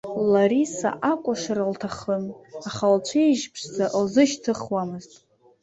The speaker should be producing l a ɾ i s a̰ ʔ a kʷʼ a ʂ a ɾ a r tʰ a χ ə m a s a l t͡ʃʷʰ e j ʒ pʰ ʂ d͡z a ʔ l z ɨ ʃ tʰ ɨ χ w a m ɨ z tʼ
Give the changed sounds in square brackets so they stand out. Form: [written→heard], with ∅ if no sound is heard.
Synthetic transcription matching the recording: l a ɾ i s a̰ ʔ a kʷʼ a ʂ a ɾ a [r→l] tʰ a χ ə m a [s→χ] a l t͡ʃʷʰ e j ʒ pʰ ʂ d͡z a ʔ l z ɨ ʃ tʰ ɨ χ w a m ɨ z tʼ